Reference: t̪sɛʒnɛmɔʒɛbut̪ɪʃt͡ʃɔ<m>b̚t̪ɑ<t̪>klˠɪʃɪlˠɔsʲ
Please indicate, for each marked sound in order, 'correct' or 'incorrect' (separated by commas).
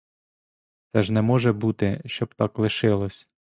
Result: incorrect, incorrect